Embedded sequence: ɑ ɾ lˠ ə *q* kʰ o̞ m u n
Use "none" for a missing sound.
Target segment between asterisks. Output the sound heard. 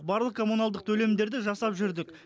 q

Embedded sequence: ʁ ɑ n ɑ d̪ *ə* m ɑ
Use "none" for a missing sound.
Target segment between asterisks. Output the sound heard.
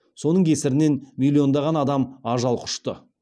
ɑ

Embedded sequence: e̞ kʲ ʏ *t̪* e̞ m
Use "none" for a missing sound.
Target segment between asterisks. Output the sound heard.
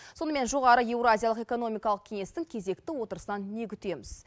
t̪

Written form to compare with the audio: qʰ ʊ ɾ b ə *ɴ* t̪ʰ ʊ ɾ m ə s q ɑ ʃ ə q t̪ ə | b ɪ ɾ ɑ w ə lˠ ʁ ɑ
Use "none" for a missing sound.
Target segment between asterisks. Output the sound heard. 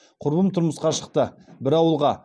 m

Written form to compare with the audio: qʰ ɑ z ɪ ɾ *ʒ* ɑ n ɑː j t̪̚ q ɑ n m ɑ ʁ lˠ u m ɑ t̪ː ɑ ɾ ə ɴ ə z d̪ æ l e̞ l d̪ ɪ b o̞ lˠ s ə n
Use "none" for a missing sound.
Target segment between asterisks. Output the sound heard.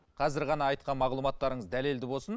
ʁ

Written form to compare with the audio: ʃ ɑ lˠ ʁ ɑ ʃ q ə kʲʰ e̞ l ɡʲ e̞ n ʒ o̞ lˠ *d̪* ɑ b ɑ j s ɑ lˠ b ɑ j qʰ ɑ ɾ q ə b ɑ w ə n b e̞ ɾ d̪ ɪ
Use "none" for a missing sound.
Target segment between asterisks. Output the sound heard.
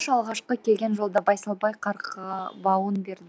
d̪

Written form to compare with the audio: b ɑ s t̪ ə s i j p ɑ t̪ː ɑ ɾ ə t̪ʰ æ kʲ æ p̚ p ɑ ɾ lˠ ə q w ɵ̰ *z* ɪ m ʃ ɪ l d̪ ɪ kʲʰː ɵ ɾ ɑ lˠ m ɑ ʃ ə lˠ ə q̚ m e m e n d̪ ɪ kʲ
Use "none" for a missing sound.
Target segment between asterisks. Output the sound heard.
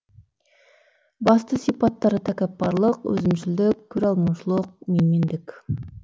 z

